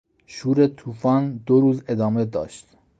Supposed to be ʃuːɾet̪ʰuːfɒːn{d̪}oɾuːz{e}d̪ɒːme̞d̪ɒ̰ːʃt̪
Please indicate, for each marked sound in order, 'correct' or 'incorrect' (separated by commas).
correct, correct